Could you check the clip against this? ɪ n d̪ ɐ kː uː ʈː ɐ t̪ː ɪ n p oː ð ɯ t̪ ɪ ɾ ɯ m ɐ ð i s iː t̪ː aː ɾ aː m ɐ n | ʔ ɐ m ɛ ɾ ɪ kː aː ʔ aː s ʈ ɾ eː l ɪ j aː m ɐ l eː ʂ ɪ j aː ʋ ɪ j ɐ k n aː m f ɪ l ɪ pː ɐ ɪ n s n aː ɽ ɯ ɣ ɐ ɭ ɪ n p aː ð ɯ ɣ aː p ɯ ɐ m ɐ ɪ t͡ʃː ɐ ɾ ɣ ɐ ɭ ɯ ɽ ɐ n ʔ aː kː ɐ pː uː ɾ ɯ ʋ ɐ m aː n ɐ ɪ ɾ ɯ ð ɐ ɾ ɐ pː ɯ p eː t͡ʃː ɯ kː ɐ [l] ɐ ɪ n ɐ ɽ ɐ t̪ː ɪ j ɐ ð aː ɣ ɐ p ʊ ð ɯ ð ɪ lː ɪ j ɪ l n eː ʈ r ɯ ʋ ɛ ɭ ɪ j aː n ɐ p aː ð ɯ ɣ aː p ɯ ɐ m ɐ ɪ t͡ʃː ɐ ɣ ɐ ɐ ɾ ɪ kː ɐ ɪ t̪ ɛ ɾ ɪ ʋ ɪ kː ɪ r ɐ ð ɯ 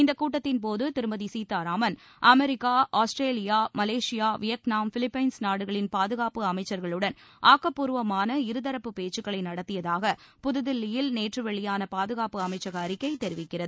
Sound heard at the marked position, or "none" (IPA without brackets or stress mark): ɭ